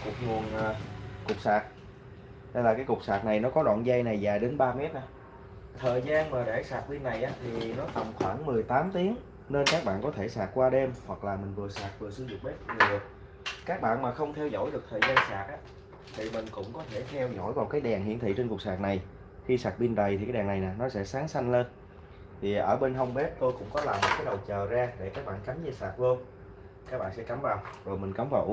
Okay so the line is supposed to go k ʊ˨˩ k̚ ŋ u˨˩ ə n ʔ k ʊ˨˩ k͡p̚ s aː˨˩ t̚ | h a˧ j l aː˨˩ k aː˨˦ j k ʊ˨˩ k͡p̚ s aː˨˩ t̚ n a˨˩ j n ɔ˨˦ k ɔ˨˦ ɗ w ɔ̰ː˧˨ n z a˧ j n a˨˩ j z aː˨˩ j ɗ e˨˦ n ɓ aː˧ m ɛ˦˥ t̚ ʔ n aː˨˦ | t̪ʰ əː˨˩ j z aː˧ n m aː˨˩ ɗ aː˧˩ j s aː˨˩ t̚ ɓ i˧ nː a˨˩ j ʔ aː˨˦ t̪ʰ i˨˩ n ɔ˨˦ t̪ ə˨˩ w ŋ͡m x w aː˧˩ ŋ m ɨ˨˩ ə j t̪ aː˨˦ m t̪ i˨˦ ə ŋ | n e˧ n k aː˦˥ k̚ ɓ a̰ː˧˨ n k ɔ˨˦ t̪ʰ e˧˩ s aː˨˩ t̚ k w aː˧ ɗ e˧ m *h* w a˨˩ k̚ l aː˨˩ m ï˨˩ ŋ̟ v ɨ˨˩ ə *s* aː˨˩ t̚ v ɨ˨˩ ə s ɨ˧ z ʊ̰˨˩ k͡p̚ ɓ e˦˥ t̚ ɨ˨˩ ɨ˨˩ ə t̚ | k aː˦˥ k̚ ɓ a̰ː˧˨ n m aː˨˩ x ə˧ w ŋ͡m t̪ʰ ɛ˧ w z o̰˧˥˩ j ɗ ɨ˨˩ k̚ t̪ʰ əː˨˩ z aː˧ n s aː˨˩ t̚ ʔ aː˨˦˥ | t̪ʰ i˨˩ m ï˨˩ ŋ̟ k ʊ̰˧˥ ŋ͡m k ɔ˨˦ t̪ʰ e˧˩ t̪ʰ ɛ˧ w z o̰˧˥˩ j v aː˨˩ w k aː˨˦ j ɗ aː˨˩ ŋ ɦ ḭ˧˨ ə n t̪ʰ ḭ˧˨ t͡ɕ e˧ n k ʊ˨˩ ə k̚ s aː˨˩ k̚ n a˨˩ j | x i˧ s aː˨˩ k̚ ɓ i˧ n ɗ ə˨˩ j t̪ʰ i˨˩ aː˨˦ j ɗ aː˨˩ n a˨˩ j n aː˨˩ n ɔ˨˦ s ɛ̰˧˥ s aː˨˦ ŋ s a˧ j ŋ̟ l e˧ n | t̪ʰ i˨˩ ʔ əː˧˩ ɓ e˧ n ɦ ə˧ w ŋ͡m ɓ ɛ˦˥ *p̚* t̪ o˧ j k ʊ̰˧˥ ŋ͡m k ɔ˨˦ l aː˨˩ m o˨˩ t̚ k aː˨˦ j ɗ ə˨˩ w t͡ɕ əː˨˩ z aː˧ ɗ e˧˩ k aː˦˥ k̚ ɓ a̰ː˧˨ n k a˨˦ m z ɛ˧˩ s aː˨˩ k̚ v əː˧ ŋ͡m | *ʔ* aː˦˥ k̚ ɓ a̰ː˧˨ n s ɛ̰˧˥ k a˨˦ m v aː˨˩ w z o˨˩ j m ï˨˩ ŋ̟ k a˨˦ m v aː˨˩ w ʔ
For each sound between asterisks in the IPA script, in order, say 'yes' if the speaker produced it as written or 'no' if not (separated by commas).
yes, yes, yes, no